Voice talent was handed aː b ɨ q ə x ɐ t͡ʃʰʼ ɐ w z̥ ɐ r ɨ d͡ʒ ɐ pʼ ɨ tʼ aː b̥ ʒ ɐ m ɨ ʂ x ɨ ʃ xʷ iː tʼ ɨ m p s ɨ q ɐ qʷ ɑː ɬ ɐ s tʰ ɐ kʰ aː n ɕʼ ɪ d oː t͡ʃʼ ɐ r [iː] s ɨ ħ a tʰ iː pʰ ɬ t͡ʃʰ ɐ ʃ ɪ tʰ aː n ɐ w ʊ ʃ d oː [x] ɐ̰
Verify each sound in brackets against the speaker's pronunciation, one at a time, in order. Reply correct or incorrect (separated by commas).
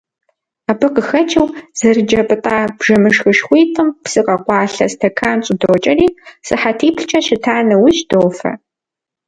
correct, incorrect